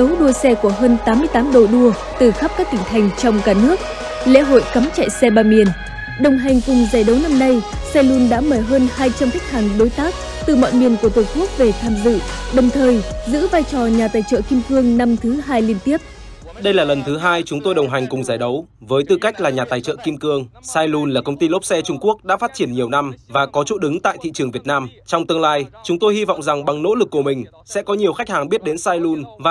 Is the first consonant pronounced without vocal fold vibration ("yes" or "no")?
no